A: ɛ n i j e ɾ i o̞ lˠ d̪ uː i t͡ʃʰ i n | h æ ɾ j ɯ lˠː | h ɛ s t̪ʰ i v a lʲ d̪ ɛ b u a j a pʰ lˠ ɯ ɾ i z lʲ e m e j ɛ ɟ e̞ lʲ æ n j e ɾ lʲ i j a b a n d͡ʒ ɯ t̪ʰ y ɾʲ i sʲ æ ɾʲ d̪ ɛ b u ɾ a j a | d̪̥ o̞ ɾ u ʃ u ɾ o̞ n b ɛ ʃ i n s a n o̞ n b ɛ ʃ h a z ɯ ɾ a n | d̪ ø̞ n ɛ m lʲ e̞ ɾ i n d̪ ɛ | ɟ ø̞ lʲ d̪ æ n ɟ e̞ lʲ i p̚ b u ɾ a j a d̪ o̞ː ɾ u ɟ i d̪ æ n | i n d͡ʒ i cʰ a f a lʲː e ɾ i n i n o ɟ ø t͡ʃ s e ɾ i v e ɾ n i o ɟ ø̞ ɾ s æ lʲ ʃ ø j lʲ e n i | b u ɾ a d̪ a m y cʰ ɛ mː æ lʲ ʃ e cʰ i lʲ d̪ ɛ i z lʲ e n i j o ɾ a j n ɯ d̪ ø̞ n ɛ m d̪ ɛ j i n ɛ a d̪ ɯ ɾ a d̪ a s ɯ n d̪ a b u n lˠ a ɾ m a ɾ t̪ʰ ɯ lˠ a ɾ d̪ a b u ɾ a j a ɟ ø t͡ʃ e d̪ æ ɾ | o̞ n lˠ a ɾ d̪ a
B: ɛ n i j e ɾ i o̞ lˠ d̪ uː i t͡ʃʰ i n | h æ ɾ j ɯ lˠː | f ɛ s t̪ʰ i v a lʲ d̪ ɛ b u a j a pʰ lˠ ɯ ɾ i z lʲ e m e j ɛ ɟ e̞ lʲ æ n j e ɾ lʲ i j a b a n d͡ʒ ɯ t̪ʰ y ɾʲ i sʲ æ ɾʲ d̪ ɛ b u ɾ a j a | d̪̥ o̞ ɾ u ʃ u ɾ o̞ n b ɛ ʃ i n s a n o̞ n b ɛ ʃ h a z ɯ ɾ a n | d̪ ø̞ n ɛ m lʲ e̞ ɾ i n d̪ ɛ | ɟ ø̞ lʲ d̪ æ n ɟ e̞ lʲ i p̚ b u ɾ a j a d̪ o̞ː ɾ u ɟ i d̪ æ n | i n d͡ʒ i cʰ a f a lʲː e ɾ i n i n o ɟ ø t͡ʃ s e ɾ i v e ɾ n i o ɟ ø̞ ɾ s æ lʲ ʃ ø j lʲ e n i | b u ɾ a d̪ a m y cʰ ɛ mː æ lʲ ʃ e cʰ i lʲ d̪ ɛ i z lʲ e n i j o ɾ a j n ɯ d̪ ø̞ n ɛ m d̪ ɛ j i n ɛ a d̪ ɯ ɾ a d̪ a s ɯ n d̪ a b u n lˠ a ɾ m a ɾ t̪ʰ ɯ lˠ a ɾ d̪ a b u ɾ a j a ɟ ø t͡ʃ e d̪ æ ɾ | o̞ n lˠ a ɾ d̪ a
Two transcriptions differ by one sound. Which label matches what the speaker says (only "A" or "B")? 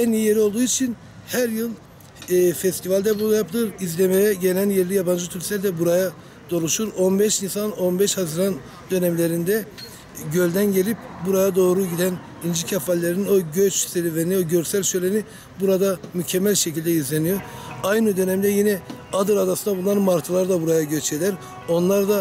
B